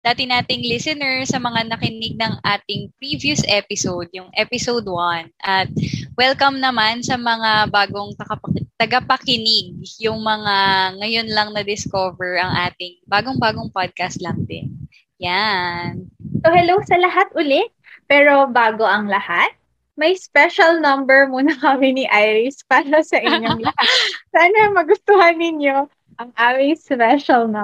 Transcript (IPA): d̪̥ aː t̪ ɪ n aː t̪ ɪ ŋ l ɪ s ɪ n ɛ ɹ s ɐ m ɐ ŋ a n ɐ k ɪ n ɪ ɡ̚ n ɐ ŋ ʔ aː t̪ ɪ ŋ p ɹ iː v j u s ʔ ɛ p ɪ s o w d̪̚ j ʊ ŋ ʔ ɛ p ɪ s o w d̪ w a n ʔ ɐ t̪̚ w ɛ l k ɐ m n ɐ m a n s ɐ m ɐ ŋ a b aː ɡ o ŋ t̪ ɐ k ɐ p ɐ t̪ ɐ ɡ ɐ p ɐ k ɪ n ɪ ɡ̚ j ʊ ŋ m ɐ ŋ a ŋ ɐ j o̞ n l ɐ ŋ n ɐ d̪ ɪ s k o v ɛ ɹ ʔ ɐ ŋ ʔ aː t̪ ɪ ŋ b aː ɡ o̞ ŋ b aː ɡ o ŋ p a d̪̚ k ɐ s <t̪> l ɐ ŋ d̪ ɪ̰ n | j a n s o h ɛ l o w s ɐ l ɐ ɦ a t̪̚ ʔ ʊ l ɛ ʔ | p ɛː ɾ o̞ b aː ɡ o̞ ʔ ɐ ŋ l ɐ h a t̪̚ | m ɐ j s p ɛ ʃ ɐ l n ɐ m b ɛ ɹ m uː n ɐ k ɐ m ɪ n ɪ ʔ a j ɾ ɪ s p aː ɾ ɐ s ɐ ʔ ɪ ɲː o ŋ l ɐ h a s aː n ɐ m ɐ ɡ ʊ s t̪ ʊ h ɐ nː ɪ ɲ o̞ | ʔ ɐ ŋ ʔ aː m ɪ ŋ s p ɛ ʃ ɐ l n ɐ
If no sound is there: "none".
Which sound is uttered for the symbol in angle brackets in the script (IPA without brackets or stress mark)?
t̪